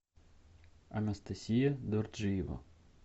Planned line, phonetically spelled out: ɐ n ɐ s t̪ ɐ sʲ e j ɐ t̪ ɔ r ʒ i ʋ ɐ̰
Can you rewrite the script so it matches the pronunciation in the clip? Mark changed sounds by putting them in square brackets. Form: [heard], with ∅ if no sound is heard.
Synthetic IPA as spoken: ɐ n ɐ s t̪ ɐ sʲ [i] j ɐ [d̪] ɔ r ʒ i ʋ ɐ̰

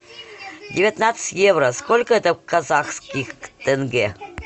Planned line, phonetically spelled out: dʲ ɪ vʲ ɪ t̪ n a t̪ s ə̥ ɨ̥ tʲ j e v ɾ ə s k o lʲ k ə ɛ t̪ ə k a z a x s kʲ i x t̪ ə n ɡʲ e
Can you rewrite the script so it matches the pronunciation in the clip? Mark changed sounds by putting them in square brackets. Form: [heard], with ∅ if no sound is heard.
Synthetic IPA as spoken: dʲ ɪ vʲ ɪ t̪ n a t̪ s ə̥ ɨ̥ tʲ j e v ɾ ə s k o lʲ k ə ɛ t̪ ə k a z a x s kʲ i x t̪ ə n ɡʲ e

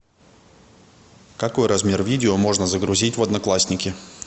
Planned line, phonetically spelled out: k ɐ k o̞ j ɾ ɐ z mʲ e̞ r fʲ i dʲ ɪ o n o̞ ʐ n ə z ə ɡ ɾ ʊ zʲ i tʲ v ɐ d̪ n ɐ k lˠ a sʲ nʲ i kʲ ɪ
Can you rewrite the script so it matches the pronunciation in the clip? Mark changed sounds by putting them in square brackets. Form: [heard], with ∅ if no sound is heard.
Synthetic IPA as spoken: k ɐ k o̞ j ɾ ɐ z mʲ e̞ r [vʲ] i dʲ ɪ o [m] o̞ ʐ n ə z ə ɡ ɾ ʊ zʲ i tʲ v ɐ d̪ n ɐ k lˠ a sʲ nʲ [ɪ] kʲ ɪ

